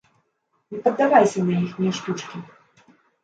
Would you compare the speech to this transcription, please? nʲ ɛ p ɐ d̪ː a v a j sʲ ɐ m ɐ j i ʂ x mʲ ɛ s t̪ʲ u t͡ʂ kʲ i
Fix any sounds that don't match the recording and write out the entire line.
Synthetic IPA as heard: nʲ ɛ p ɐ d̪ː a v a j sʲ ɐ n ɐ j i x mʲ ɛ ʂ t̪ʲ u t͡ʂ kʲ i

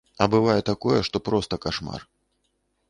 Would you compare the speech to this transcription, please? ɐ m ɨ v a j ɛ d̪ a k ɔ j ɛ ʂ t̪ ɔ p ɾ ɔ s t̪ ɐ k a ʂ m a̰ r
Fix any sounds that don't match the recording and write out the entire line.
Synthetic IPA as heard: ɐ b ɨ v a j ɛ t̪ a k ɔ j ɛ ʂ t̪ ɔ p ɾ ɔ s t̪ ɐ k a ʂ m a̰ r

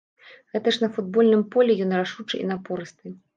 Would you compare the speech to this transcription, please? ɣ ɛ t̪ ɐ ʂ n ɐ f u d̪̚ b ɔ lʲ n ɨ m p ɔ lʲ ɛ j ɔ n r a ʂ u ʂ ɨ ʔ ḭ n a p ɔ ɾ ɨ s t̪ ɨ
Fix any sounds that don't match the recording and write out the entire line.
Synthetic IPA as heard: ɣ ɛ t̪ ɐ ʂ n ɐ f u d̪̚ b ɔ lʲ n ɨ m p ɔ lʲ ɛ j ɔ n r a ʂ u t͡ʂ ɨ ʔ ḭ n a p ɔ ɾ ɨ s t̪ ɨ

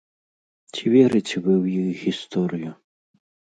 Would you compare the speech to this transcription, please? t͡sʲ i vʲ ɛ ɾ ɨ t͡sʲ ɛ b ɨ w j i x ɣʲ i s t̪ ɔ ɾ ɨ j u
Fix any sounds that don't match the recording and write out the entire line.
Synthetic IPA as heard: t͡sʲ i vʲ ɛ ɾ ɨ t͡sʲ ɛ v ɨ w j i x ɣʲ i s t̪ ɔ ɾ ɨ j u

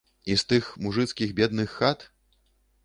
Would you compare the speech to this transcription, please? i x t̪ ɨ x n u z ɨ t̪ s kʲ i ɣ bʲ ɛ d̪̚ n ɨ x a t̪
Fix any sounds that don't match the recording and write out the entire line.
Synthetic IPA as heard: i s t̪ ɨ x m u ʐ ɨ t̪ s kʲ i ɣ bʲ ɛ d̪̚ n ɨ xː a t̪

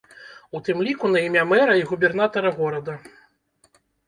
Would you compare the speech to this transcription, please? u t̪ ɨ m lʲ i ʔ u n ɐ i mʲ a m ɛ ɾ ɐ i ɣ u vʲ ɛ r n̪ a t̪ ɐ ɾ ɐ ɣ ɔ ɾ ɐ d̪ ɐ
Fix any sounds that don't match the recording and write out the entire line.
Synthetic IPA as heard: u t̪ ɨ m lʲ i k u n ɐ i mʲ a m ɛ ɾ ɐ i ɣ u bʲ ɛ r n̪ a t̪ ɐ ɾ ɐ ɣ ɔ ɾ ɐ d̪ ɐ

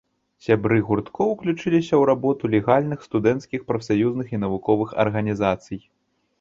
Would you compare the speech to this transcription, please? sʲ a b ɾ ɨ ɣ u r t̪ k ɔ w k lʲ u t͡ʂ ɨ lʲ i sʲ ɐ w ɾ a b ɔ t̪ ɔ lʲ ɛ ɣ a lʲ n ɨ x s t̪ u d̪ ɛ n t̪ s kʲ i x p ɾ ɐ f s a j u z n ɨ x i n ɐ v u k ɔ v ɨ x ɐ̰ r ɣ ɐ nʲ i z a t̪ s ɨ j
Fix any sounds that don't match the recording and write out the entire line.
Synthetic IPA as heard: sʲ a b ɾ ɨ ɣ u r t̪ k ɔ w k lʲ u t͡ʂ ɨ lʲ i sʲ ɐ w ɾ a b ɔ t̪ u lʲ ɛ ɣ a lʲ n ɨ x s t̪ u d̪ ɛ n t̪ s kʲ i x p ɾ ɐ f s a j u z n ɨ x i n ɐ v u k ɔ v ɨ x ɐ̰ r ɣ ɐ nʲ i z a t̪ s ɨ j

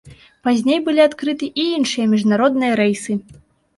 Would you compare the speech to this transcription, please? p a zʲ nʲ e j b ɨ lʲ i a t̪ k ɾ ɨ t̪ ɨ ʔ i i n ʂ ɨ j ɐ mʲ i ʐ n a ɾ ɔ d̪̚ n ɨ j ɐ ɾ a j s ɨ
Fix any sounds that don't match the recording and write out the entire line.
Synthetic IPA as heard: p a zʲ nʲ e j b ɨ lʲ i a t̪ k ɾ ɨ t̪ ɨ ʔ i i n ʂ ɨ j ɐ mʲ i ʐ n a ɾ ɔ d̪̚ n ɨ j ɐ ɾ ɛ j s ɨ

